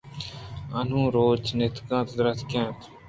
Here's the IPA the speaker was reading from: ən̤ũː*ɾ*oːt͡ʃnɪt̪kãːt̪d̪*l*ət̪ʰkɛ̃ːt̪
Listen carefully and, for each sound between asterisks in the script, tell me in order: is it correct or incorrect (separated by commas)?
correct, incorrect